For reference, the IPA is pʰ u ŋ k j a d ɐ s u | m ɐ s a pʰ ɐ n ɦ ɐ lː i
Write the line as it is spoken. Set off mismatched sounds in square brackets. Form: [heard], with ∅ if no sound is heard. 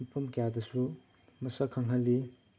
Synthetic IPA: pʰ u [m] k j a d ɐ s u | m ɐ s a [kʰ] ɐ [ŋ] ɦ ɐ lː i